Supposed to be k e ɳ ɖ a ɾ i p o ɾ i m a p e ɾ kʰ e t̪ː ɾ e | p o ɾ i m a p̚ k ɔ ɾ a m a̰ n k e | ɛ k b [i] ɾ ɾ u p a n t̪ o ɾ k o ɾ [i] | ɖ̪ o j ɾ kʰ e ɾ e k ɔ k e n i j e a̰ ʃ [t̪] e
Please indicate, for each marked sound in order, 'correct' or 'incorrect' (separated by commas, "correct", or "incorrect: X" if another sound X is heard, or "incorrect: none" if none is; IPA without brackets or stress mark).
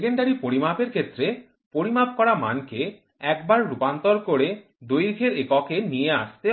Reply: incorrect: a, incorrect: e, correct